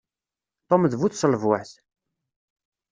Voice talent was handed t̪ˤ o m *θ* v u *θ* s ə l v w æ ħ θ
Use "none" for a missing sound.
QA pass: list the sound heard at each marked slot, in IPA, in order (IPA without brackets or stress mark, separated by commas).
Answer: ð, θ